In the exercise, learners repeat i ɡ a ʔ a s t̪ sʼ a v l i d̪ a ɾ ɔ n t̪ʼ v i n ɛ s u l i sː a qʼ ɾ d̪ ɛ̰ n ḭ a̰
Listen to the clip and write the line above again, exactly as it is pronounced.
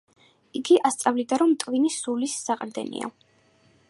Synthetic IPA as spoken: i ɡ i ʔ a s t̪ sʼ a v l i d̪ a ɾ ɔ m t̪ʼ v i n i s u l i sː a qʼ ɾ d̪ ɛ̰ n ḭ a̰